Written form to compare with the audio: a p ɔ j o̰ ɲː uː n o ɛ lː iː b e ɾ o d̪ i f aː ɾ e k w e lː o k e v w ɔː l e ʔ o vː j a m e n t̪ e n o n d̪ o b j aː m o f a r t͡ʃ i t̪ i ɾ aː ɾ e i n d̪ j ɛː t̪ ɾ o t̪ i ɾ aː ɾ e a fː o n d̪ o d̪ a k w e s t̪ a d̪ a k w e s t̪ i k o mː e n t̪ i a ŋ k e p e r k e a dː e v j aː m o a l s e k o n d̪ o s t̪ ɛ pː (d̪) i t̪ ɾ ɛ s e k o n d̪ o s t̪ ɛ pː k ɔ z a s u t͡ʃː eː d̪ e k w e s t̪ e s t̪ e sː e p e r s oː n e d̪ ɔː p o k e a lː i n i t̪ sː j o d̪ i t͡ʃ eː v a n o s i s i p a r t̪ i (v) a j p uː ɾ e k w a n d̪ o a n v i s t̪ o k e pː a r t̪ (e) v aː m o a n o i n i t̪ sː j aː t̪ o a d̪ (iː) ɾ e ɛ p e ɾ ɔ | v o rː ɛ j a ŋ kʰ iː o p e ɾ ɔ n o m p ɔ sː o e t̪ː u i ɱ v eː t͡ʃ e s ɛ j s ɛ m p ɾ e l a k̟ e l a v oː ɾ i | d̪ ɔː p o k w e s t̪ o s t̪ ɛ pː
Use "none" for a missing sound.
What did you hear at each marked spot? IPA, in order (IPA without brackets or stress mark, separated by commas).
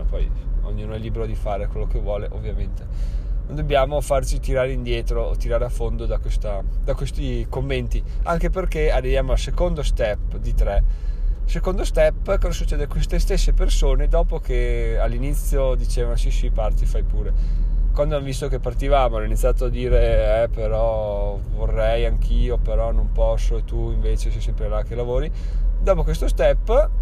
d̪, f, i, iː